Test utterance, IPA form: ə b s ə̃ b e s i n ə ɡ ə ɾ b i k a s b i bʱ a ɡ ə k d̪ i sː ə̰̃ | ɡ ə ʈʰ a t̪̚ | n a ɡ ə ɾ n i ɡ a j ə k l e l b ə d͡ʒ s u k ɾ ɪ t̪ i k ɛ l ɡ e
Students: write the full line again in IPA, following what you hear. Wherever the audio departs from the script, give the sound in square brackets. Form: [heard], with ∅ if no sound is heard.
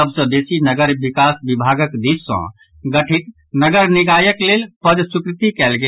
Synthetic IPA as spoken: ə b s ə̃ b e s i n ə ɡ ə ɾ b i k a s b i bʱ a ɡ ə k d̪ i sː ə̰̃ | ɡ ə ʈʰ [i] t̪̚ | n [ə] ɡ ə ɾ n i ɡ a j ə k l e l [p] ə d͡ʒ s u k ɾ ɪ t̪ i k ɛ l ɡ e